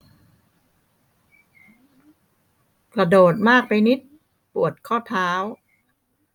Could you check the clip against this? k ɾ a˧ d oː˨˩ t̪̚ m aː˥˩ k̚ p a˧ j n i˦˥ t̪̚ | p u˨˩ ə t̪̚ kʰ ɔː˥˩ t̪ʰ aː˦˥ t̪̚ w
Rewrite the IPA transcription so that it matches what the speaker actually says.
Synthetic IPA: k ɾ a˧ d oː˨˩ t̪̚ m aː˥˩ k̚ p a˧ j n i˦˥ t̪̚ | p u˨˩ ə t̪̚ kʰ ɔː˥˩ t̪ʰ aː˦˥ w